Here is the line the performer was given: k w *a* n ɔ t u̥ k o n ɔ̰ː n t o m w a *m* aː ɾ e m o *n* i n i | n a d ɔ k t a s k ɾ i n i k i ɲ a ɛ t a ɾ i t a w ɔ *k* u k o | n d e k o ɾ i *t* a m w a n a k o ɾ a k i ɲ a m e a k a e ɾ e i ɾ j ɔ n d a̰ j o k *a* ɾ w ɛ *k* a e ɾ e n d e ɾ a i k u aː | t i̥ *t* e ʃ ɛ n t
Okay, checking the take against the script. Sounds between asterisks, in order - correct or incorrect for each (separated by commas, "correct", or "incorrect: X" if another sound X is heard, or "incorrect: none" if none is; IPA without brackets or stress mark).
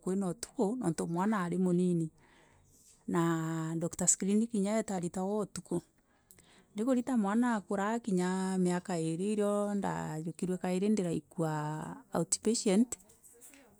incorrect: e, incorrect: n, correct, incorrect: t, correct, incorrect: i, correct, incorrect: p